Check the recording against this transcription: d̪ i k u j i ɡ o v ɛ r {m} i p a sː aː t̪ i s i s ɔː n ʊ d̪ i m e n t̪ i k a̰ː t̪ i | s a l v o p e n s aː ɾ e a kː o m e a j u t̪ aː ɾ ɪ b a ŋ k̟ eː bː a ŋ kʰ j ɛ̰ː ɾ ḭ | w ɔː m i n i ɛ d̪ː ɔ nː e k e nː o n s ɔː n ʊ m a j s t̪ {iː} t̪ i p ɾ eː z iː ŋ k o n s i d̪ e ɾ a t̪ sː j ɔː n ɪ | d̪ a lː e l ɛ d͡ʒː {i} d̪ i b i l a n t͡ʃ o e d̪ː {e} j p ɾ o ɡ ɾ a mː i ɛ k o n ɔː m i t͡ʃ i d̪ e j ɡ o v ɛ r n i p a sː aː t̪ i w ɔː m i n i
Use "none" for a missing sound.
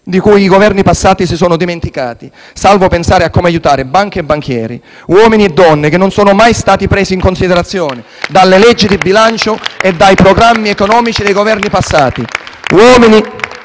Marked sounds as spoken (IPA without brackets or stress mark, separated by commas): n, aː, i, a